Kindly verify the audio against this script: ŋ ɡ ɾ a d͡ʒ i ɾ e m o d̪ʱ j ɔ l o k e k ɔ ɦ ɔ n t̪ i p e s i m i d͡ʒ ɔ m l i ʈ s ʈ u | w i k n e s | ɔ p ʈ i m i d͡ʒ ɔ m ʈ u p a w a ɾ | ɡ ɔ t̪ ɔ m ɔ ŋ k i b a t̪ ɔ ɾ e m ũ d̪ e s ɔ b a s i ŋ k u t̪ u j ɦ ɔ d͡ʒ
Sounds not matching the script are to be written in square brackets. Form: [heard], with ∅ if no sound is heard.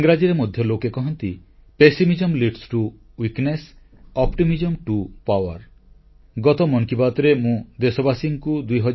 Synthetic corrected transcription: ŋ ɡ ɾ a d͡ʒ i ɾ e m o d̪ʱ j ɔ l o k e k ɔ ɦ ɔ n t̪ i p e s i m i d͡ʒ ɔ m l i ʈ s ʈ u | w i k n e s | ɔ p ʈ i m i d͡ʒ ɔ m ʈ u p a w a ɾ | ɡ ɔ t̪ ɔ m ɔ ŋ k i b a t̪ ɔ ɾ e m ũ d̪ e s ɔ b a s i ŋ k u [d̪] u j ɦ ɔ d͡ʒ